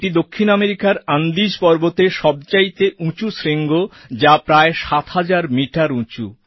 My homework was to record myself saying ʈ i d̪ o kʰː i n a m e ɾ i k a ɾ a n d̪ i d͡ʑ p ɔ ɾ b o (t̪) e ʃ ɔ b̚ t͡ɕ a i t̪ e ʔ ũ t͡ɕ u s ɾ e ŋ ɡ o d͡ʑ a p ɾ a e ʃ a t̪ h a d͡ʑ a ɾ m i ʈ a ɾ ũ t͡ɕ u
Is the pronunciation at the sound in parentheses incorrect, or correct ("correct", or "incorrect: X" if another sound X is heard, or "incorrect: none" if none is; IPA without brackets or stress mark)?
correct